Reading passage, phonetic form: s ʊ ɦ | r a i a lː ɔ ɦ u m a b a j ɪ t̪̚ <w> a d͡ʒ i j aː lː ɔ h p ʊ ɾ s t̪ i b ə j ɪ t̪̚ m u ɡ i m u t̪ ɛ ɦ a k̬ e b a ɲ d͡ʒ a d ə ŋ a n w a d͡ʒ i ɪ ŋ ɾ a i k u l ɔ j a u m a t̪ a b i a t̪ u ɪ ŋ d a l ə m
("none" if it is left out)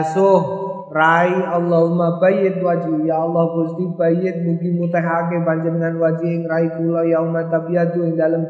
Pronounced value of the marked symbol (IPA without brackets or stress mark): w